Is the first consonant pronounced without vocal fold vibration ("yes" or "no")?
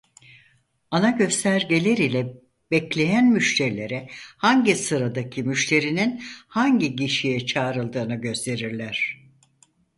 no